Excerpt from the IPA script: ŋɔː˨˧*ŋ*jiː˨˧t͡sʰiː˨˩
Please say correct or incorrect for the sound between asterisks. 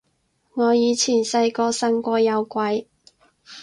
incorrect